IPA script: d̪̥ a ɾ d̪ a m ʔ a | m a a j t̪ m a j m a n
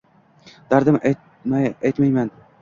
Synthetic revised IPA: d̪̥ a ɾ d̪ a m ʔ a | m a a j t̪ m a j m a n